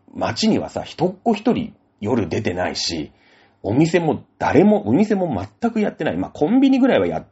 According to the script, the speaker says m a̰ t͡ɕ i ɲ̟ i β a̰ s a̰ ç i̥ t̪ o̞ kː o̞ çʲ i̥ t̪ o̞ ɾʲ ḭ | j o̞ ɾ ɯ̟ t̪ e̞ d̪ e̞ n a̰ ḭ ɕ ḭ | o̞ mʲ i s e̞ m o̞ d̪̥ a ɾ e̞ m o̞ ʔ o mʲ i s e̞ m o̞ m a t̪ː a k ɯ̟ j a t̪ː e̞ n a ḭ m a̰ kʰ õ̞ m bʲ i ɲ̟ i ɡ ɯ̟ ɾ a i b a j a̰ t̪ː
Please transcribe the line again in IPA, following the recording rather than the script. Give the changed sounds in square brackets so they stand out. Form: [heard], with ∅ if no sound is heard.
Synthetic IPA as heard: m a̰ t͡ɕ i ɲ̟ i β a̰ s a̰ ç i̥ t̪ o̞ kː o̞ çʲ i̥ t̪ o̞ ɾʲ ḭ | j o̞ ɾ ɯ̟ [d̪] e̞ [t̪] e̞ n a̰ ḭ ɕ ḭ | o̞ mʲ i s e̞ m o̞ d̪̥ a ɾ e̞ m o̞ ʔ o mʲ i s e̞ m o̞ m a t̪ː a k ɯ̟ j a t̪ː e̞ n a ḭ m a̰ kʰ õ̞ m bʲ i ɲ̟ i ɡ ɯ̟ ɾ a i [β] a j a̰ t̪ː